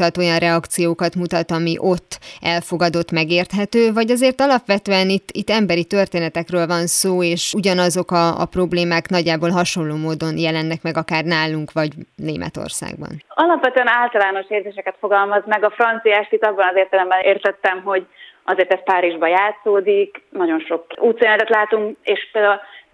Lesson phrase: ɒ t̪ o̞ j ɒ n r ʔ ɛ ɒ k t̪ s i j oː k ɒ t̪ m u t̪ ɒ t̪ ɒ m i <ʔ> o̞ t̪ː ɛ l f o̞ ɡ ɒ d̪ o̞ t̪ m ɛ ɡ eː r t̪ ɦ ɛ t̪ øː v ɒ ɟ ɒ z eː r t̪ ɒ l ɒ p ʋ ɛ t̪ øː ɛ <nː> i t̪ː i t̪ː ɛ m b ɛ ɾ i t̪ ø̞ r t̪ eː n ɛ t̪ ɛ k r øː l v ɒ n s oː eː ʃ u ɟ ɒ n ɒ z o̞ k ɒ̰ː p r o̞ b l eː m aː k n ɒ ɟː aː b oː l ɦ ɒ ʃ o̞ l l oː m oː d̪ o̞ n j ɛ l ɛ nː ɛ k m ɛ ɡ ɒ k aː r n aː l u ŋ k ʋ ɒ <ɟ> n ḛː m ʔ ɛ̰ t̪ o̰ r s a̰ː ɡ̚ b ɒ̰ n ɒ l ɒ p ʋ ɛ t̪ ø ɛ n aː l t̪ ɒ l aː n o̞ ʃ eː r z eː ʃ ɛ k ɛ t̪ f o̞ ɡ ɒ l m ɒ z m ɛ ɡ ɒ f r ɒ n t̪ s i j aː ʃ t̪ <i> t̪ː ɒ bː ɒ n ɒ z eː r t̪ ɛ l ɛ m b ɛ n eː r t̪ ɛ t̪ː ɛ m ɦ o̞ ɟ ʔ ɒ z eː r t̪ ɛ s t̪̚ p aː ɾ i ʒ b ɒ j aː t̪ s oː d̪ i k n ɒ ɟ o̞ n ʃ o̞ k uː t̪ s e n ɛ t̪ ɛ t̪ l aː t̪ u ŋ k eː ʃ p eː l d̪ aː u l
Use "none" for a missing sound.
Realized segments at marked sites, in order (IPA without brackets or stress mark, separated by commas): ʔ, n, ɟ, i